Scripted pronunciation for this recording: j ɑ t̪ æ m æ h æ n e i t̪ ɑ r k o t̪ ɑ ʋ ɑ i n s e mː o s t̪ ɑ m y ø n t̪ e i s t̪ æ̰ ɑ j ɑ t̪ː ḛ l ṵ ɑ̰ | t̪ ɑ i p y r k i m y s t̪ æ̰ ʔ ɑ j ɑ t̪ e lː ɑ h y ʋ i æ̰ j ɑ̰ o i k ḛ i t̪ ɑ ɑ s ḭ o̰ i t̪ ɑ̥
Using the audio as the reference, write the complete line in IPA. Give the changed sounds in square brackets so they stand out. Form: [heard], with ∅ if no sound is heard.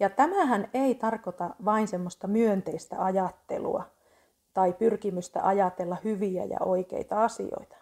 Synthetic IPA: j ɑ t̪ æ m æ h æ n e i t̪ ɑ r k o t̪ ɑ ʋ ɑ i n s e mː o s t̪ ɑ m y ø n t̪ e i s t̪ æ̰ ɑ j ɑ t̪ː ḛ l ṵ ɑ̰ | t̪ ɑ i p y r k i m y s t̪ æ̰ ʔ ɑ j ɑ t̪ e lː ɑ h y ʋ i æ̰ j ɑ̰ o i k ḛ i t̪ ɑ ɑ s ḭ o̰ i t̪ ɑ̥